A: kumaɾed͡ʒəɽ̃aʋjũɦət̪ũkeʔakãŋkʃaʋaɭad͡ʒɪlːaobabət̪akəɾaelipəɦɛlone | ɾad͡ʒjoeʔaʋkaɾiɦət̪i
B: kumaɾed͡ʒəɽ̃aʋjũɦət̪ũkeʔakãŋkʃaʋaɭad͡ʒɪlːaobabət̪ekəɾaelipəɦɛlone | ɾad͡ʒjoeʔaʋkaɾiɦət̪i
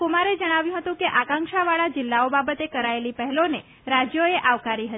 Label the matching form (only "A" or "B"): B